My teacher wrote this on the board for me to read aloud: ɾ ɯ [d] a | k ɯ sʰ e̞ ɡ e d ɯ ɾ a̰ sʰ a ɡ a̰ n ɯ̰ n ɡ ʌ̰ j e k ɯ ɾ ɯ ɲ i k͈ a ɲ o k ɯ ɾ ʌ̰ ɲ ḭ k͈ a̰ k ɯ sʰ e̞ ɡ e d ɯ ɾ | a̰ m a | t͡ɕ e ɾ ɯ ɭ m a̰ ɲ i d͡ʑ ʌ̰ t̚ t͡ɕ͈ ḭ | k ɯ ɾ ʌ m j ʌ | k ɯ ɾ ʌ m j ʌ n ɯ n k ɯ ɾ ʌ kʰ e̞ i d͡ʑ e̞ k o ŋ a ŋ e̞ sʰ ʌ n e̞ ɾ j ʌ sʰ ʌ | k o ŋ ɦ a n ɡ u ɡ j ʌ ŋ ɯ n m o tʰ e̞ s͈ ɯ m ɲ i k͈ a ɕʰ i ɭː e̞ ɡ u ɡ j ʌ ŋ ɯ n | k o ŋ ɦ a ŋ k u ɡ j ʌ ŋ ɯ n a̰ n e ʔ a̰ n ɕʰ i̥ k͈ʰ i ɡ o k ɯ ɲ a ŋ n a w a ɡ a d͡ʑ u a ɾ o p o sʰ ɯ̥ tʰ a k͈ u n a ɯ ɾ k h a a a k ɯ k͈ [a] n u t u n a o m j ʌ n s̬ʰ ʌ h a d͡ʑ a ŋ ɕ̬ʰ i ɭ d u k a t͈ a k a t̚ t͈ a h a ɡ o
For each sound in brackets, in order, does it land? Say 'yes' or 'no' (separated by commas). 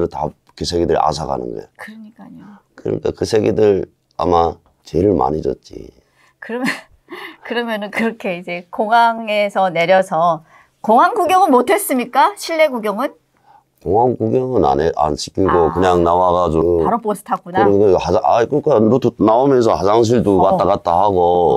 no, yes